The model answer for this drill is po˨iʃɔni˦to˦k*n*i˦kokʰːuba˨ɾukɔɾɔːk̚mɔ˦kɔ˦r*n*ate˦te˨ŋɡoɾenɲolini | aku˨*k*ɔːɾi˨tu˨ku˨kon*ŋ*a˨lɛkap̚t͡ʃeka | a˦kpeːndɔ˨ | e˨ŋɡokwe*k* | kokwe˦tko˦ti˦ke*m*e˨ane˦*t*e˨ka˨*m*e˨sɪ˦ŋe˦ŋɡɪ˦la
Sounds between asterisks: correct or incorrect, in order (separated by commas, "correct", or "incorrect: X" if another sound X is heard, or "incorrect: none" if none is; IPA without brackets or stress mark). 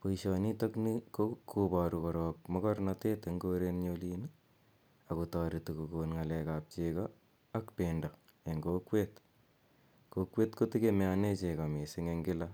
correct, correct, incorrect: t, correct, incorrect: t, correct, incorrect: t͡ʃ, correct